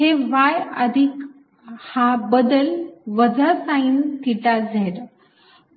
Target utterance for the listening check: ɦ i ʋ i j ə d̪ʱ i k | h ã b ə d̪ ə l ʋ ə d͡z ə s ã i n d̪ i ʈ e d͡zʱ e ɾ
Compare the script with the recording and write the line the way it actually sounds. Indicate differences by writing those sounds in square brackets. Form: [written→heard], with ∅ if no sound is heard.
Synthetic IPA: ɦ [i→e] ʋ [i→a] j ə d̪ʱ i k | h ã b ə d̪ ə l ʋ ə d͡z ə s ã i n [d̪→t̪] i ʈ [e→a] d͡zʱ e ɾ